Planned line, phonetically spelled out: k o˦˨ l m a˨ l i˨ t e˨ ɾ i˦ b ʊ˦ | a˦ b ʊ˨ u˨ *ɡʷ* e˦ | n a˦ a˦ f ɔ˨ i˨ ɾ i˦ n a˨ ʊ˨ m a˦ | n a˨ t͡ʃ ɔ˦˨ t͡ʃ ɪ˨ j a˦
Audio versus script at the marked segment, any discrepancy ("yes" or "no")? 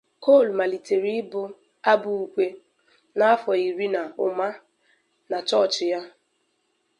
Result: yes